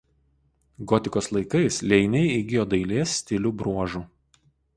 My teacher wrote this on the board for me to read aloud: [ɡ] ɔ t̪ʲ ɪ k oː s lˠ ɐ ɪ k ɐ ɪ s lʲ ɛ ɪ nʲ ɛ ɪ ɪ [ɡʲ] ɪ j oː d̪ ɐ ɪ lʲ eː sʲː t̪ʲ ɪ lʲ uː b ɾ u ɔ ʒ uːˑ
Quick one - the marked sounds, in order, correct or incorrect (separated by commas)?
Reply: correct, correct